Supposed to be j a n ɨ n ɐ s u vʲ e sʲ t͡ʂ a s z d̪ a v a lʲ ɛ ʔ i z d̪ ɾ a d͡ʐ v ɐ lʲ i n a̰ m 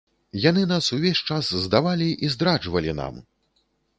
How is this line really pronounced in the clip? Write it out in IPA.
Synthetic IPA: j a n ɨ n a s u vʲ e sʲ t͡ʂ a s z d̪ a v a lʲ i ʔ i z d̪ ɾ a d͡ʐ v ɐ lʲ i n a̰ m